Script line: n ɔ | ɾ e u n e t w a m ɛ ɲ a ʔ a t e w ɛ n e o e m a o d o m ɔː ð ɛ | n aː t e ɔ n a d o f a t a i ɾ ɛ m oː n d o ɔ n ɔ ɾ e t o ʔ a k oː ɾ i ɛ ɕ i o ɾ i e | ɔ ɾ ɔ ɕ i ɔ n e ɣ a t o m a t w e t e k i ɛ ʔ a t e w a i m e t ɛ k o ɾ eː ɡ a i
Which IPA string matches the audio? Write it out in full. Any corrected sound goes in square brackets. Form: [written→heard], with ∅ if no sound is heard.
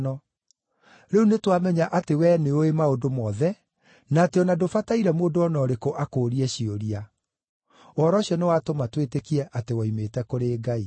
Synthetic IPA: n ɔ | ɾ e u n e t w a m ɛ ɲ a ʔ a t e w ɛ n e o e m a o d o m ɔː ð ɛ | n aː t e ɔ n a d o f a t a i ɾ ɛ m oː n d o ɔ n ɔ ɾ e [t→k] o ʔ a k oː ɾ i ɛ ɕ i o ɾ i [e→a] | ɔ ɾ ɔ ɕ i ɔ n e [ɣ→w] a t o m a t w e t e k i ɛ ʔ a t e w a i m e t ɛ k o ɾ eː ɡ a i